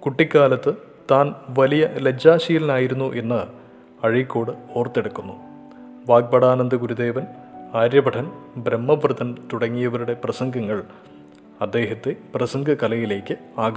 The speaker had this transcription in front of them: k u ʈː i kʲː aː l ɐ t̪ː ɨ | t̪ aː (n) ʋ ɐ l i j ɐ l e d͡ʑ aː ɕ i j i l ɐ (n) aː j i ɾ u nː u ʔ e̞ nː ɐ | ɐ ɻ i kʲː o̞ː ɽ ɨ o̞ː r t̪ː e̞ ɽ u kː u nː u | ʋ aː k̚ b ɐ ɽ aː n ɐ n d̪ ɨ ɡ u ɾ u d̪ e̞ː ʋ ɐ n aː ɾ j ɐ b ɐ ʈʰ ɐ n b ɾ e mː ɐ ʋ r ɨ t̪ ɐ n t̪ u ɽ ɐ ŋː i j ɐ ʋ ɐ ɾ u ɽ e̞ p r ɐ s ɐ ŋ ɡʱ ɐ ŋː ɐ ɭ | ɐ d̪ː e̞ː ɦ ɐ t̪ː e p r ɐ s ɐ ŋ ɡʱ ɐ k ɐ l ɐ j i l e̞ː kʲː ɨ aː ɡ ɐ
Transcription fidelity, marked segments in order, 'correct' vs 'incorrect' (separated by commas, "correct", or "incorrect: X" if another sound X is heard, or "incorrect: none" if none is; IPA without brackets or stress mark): correct, correct